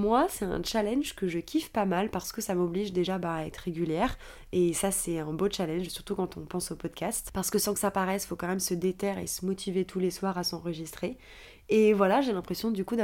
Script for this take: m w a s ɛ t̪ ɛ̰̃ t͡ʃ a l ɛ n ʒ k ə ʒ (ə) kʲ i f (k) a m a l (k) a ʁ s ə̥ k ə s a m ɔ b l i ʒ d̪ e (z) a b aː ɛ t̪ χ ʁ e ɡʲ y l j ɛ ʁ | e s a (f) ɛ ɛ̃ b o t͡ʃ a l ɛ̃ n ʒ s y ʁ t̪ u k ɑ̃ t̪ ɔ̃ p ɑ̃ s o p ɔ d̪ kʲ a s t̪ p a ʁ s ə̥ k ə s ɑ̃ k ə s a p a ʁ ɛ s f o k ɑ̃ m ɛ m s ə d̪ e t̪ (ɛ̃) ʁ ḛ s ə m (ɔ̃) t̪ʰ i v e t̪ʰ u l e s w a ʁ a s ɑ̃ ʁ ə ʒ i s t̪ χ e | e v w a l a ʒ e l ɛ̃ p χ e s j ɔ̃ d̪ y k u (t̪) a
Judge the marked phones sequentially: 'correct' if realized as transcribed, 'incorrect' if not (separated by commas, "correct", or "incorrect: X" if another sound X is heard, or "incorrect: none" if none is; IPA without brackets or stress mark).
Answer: correct, incorrect: p, incorrect: p, incorrect: ʒ, incorrect: s, incorrect: ɛ, incorrect: ɔ, incorrect: d̪